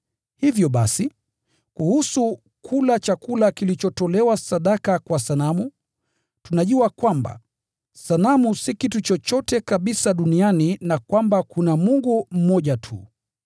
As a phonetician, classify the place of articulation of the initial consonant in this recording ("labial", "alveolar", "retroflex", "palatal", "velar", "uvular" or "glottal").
glottal